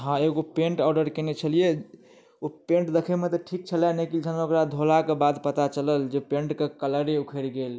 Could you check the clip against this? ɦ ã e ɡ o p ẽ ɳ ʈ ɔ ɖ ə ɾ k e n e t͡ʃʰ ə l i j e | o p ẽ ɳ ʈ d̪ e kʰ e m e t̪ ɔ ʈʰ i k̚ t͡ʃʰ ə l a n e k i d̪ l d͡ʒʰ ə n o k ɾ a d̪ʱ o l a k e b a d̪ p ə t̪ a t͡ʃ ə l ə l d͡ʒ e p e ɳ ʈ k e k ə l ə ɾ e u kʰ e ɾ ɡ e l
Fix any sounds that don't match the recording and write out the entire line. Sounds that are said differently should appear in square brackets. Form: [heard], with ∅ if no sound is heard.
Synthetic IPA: ɦ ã e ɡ o p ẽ ɳ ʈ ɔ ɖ ə ɾ k e n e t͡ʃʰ ə l i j e | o p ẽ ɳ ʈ d̪ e kʰ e m e t̪ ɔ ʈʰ i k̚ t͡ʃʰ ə l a n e k i [∅] l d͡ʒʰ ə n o k ɾ a d̪ʱ o l a k e b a d̪ p ə t̪ a t͡ʃ ə l ə l d͡ʒ e p e ɳ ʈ k e k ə l ə ɾ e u kʰ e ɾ ɡ e l